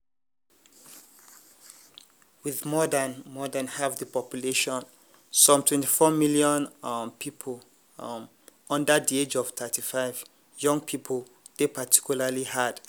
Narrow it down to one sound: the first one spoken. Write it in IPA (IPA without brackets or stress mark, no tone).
w